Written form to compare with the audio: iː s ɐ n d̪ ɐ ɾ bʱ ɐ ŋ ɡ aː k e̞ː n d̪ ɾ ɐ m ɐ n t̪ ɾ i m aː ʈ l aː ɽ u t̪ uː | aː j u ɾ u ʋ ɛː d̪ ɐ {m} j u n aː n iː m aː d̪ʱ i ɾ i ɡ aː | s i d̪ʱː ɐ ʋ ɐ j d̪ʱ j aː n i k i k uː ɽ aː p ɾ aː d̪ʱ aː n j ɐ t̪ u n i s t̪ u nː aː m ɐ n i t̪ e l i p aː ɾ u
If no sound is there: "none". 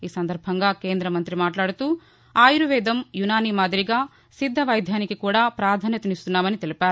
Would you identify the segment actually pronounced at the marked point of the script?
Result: m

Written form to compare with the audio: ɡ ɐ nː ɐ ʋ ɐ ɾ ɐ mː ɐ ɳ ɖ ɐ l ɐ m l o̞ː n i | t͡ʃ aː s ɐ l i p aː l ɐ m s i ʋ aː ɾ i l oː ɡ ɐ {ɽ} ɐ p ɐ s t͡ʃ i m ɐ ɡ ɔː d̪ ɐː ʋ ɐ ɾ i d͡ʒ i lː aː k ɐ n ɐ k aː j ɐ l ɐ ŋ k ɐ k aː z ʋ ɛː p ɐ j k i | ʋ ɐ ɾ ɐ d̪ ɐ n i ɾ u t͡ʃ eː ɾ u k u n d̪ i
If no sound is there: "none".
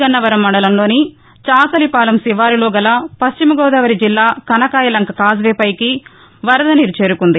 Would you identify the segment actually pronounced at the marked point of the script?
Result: l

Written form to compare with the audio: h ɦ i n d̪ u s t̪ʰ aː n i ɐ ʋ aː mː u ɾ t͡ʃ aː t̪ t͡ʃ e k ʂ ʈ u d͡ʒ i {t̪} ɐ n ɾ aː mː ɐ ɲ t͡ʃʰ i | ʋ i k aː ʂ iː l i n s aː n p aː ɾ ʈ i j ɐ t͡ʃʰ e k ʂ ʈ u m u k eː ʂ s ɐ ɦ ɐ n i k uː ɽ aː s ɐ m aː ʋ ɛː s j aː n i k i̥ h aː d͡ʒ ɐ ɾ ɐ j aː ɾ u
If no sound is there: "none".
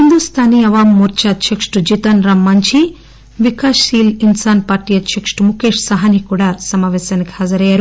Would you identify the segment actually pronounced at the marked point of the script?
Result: t̪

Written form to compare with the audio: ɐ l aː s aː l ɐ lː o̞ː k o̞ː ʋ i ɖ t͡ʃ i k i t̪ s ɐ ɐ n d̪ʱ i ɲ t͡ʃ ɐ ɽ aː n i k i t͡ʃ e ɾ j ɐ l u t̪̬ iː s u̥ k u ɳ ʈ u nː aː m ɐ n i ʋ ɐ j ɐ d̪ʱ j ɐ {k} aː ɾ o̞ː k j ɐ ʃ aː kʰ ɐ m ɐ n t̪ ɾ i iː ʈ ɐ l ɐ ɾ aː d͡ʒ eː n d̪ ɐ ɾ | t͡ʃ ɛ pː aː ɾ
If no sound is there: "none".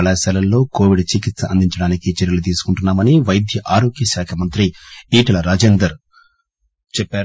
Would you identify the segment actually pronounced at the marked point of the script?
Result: ʔ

